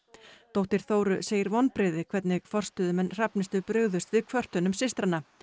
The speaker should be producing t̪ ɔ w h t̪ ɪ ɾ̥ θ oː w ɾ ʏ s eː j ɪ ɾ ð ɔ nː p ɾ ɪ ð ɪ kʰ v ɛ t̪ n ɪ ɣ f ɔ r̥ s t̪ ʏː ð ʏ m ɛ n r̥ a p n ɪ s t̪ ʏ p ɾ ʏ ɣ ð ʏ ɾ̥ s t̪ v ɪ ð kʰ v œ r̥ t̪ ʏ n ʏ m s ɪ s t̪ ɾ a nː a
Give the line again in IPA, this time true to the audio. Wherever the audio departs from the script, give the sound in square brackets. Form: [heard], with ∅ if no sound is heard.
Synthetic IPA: t̪ [o] w h t̪ ɪ ɾ̥ θ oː w ɾ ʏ s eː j ɪ ɾ [v] ɔ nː p ɾ ɪ ð ɪ kʰ v ɛ t̪ n ɪ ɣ f ɔ r̥ s t̪ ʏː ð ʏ m ɛ n r̥ a p n ɪ s t̪ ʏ p ɾ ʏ ɣ ð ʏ [∅] s t̪ v ɪ ð kʰ v œ r̥ t̪ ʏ n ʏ m s ɪ s t̪ ɾ a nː a